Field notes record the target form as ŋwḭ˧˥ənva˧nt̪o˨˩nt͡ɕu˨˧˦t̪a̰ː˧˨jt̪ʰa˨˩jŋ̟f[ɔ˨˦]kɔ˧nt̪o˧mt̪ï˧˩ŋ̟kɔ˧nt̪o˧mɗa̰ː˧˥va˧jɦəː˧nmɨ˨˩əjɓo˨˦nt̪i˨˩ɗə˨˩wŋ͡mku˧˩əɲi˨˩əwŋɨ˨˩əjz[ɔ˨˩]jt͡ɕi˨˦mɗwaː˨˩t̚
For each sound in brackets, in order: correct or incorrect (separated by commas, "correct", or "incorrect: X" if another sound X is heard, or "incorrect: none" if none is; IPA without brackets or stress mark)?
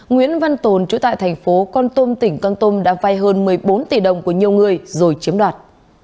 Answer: incorrect: o˨˦, incorrect: o˨˩